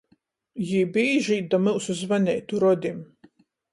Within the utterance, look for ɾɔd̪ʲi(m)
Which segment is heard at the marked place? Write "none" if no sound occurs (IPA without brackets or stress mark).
m